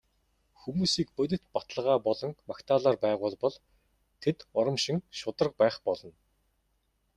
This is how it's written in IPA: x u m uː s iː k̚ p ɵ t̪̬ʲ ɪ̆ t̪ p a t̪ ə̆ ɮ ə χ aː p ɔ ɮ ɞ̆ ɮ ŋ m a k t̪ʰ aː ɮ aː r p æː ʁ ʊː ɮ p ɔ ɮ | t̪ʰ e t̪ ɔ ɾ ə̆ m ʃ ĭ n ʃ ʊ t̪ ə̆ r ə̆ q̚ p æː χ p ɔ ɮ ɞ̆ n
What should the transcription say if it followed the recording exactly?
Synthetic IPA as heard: x u m uː s iː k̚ p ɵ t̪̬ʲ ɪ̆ t̪ p a t̪ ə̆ ɮ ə ʁ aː p ɔ ɮ ɞ̆ ŋ m a k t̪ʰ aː ɮ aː r p æː ʁ ʊː ɮ p ɔ ɮ | t̪ʰ e t̪ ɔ ɾ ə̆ m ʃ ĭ ŋ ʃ ʊ t̪ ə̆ r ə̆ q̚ p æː χ p ɔ ɮ ɞ̆ n